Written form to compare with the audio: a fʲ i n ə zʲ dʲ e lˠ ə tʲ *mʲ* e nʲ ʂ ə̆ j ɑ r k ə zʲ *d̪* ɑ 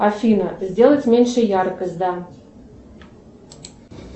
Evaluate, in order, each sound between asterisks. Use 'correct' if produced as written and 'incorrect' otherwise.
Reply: correct, correct

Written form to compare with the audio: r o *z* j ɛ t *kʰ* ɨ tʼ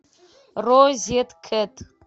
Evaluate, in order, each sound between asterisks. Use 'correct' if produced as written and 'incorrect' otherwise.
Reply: correct, correct

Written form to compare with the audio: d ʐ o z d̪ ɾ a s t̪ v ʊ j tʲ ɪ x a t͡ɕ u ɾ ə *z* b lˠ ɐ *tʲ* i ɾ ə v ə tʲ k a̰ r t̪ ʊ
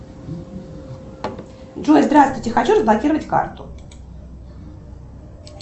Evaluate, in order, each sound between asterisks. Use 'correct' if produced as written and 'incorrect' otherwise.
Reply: correct, incorrect: kʲ

